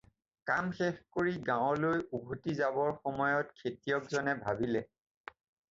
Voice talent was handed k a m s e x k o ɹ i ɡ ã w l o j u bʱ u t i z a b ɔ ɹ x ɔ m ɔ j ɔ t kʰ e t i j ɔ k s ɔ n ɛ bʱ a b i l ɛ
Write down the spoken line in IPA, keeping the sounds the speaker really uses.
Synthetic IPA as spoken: k a m x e x k o ɹ i ɡ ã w l o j u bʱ u t i z a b ɔ ɹ x ɔ m ɔ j ɔ t kʰ e t i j ɔ k z ɔ n ɛ bʱ a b i l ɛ